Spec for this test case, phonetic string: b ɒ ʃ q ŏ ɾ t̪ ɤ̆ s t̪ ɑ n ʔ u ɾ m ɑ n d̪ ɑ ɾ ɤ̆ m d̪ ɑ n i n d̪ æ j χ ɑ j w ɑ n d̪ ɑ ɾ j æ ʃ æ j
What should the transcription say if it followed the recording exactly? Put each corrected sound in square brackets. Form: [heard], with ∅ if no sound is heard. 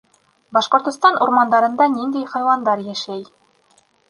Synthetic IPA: b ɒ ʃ q ŏ ɾ t̪ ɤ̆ s t̪ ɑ n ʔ u ɾ m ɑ n d̪ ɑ ɾ ɤ̆ [n] d̪ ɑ n i n d̪ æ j χ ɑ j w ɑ n d̪ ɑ ɾ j æ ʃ æ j

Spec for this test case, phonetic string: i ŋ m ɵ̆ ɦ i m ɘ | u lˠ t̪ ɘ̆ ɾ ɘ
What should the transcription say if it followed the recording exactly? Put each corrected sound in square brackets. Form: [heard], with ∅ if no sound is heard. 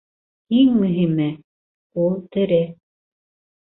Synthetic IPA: i ŋ m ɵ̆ ɦ i m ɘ | u lˠ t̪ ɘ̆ ɾ ɘ

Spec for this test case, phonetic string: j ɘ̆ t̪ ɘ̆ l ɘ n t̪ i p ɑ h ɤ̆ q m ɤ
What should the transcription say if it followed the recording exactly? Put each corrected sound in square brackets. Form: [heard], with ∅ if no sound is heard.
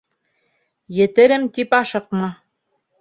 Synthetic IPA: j ɘ̆ t̪ ɘ̆ [ɾ] ɘ [m] t̪ i p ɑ [ʃ] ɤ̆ q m ɤ

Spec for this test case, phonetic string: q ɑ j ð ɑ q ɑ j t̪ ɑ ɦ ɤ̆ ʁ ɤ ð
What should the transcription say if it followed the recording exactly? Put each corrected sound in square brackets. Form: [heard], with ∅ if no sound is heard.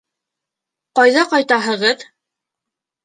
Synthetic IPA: q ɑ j ð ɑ q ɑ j t̪ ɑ ɦ ɤ̆ ʁ ɤ ð

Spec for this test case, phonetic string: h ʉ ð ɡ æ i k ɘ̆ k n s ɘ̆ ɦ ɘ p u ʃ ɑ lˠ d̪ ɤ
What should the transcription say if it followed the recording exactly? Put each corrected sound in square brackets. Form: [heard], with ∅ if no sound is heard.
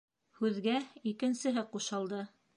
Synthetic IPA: h ʉ ð ɡ æ i k ɘ̆ [∅] n s ɘ̆ ɦ ɘ [q] u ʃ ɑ lˠ d̪ ɤ

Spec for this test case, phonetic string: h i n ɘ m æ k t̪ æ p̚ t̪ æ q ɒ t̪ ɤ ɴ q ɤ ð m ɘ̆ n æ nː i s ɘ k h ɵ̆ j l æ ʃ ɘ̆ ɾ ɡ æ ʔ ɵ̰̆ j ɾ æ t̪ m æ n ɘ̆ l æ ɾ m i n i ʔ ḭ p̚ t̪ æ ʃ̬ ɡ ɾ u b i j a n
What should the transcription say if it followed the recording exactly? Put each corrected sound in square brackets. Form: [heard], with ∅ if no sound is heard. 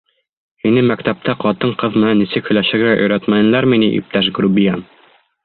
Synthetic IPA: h i n ɘ m æ k t̪ æ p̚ t̪ æ q ɒ t̪ ɤ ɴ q ɤ ð m ɘ̆ n æ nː i s ɘ k h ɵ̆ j l æ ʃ ɘ̆ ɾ ɡ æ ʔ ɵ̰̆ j ɾ æ t̪ m æ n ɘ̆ l æ ɾ m i n i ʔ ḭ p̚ t̪ æ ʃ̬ ɡ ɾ u b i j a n

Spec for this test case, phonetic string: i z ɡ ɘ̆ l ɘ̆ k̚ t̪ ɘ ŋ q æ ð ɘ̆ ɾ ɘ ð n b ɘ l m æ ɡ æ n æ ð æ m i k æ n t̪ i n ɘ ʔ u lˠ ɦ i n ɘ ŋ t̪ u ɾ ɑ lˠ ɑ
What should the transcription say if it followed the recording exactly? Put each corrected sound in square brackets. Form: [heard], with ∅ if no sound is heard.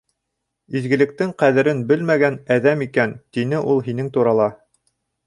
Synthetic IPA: i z ɡ ɘ̆ l ɘ̆ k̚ t̪ ɘ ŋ q æ ð ɘ̆ ɾ ɘ [∅] n b ɘ l m æ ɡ æ n æ ð æ m i k æ n t̪ i n ɘ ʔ u lˠ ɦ i n ɘ ŋ t̪ u ɾ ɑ lˠ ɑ

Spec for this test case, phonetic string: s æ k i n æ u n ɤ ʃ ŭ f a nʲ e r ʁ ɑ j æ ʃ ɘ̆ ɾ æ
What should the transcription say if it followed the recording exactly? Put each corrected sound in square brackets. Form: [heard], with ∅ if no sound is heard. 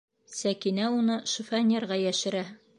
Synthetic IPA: s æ k i n æ u n ɤ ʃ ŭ f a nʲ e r ʁ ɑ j æ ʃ ɘ̆ ɾ æ

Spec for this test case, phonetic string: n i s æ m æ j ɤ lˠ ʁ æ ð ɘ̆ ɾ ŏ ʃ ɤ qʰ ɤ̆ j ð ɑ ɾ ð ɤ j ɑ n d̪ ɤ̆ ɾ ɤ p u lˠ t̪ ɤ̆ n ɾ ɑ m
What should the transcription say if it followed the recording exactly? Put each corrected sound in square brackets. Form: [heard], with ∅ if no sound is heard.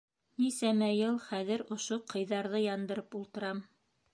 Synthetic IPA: n i s æ m æ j ɤ lˠ [χ] æ ð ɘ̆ ɾ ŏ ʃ [o] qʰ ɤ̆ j ð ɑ ɾ ð ɤ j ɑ n d̪ ɤ̆ ɾ ɤ p u lˠ t̪ ɤ̆ [∅] ɾ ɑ m

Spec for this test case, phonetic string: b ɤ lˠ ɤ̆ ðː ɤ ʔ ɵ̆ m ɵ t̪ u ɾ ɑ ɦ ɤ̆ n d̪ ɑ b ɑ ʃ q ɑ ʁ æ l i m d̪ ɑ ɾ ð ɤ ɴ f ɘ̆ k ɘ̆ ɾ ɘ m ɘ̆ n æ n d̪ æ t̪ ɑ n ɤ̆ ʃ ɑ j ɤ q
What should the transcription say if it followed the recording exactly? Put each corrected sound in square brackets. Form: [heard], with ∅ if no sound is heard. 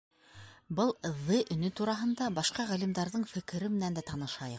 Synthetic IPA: b ɤ lˠ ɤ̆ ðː ɤ ʔ ɵ̆ [n] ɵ t̪ u ɾ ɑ ɦ ɤ̆ n d̪ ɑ b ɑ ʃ q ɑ ʁ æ l i m d̪ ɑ ɾ ð ɤ ɴ f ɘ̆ k ɘ̆ ɾ ɘ m ɘ̆ n æ n d̪ æ t̪ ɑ n ɤ̆ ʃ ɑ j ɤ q

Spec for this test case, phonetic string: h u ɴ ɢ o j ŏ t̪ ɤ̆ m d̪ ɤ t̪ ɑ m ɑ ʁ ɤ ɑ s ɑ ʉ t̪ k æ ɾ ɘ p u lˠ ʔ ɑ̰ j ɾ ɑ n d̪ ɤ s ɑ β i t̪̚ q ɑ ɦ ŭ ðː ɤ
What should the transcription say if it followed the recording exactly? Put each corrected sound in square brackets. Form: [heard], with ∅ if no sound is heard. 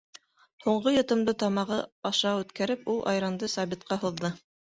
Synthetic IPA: h u ɴ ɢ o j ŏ t̪ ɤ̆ m d̪ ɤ t̪ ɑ m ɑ ʁ ɤ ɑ [ʃ] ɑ ʉ t̪ k æ ɾ ɘ p u lˠ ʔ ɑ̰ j ɾ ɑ n d̪ ɤ s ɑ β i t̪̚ q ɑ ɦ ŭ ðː ɤ

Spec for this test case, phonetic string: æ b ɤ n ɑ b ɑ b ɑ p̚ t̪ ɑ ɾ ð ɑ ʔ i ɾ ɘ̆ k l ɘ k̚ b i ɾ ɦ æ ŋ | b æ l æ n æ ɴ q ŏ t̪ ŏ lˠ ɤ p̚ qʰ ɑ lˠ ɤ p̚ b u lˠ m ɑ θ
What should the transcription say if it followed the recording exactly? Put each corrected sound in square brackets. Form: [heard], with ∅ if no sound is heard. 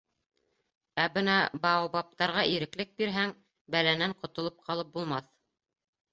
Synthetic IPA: æ b ɤ n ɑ b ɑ b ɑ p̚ t̪ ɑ ɾ [ʁ] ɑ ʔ i ɾ ɘ̆ k l ɘ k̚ b i ɾ ɦ æ ŋ | b æ l æ n æ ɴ q ŏ t̪ ŏ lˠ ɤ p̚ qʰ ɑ lˠ ɤ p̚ b u lˠ m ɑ θ

